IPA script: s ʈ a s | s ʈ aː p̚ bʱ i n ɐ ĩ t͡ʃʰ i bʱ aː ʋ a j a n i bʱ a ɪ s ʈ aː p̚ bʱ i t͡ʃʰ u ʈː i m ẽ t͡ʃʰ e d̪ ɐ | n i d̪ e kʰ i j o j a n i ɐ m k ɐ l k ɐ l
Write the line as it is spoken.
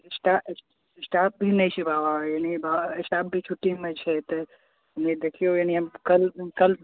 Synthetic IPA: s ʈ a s | s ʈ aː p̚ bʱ i n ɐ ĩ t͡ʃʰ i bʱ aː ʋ a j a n i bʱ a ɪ s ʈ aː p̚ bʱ i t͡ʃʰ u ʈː i m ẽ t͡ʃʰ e t̪ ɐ | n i d̪ e kʰ i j o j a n i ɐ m k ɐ l k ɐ l

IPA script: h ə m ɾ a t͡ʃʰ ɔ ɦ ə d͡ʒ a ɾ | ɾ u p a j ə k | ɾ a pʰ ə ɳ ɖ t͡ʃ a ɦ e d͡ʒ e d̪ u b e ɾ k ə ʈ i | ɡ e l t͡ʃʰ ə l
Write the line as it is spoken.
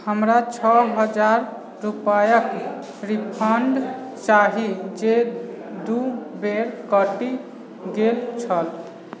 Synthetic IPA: h ə m ɾ a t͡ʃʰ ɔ ɦ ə d͡ʒ a ɾ | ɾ u p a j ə k | ɾ i pʰ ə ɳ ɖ t͡ʃ a ɦ i d͡ʒ e d̪ u b e ɾ k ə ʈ i | ɡ e l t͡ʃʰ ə l

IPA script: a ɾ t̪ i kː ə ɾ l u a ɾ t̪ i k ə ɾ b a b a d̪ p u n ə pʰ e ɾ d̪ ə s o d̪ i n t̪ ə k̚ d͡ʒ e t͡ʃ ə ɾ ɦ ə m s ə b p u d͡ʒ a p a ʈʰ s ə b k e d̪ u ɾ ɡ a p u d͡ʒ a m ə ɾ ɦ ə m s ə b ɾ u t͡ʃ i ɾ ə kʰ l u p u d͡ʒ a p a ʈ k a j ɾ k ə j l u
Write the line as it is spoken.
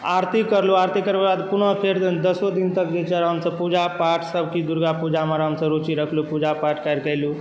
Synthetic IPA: a ɾ t̪ i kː ə ɾ l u a ɾ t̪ i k ə ɾ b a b a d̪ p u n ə pʰ e ɾ d̪ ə s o d̪ i n t̪ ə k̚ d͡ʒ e t͡ʃ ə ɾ ɦ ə m s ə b p u d͡ʒ a p a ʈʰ s ə b k i d̪ u ɾ ɡ a p u d͡ʒ a m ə ɾ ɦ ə m s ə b ɾ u t͡ʃ i ɾ ə kʰ l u p u d͡ʒ a p a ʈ k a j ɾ k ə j l u

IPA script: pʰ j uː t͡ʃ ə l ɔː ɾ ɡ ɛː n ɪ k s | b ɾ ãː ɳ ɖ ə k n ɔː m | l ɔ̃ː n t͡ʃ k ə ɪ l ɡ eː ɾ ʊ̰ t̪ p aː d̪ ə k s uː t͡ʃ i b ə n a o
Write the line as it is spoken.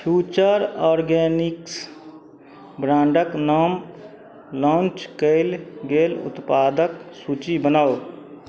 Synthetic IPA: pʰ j uː t͡ʃ ə ɾ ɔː ɾ ɡ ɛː n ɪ k s | b ɾ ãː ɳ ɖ ə k n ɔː m | l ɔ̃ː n t͡ʃ k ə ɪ l ɡ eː l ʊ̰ t̪ p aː d̪ ə k s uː t͡ʃ i b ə n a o

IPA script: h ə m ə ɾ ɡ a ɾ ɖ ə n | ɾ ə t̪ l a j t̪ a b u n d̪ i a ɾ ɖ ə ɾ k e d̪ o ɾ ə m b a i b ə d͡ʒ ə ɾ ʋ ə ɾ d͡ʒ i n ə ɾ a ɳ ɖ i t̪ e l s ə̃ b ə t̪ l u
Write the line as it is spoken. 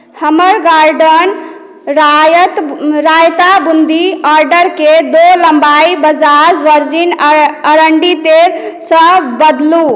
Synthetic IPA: h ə m ə ɾ ɡ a ɾ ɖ ə n | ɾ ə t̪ ɾ a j t̪ a b u n d̪ i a ɾ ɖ ə ɾ k e d̪ o l ə m b a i b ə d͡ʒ a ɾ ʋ ə ɾ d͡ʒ i n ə ɾ ə ɳ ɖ i t̪ e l s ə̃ b ə d̪ l u

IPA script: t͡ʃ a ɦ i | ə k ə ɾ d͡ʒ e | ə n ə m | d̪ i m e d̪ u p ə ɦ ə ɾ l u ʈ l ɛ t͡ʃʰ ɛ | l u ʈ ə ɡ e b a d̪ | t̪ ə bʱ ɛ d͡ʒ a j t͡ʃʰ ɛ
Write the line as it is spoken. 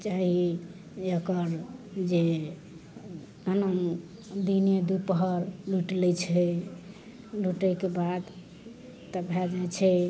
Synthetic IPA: t͡ʃ a ɦ i | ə k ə ɾ d͡ʒ e | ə n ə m | d̪ i n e d̪ u p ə ɦ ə ɾ l u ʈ l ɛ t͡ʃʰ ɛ | l u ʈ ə k e b a d̪ | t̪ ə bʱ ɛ d͡ʒ a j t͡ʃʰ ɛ

